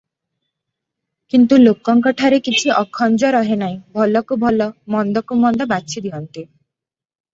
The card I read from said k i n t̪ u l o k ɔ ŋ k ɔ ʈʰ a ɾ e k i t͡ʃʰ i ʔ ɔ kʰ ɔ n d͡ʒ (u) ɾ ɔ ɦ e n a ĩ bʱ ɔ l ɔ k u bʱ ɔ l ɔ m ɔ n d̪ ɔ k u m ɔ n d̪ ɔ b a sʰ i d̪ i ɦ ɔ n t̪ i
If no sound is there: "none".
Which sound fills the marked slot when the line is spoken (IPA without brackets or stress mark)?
ɔ